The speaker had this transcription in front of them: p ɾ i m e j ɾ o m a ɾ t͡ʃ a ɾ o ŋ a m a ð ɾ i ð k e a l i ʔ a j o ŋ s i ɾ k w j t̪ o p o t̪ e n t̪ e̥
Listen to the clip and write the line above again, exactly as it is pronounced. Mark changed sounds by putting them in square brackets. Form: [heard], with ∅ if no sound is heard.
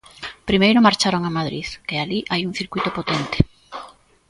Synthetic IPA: p ɾ i m e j ɾ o m a ɾ t͡ʃ a ɾ o ŋ a m a ð ɾ i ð k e a l i ʔ a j [u] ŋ [θ] i ɾ k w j t̪ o p o t̪ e n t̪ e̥